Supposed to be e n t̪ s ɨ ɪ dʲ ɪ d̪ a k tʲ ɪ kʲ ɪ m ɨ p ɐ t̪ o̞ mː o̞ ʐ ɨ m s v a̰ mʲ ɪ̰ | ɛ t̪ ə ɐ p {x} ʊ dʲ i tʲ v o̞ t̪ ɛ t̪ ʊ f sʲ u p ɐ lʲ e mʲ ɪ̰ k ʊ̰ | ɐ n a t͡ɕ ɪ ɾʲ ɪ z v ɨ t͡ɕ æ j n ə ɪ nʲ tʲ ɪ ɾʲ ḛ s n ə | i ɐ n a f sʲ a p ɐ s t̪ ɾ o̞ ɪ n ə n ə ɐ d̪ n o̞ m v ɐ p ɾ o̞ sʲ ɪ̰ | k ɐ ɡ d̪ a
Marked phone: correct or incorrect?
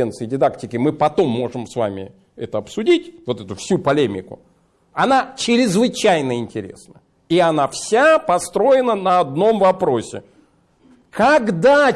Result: incorrect